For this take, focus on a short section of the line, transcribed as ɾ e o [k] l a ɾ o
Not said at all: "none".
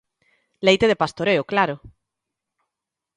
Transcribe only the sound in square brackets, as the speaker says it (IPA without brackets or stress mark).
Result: k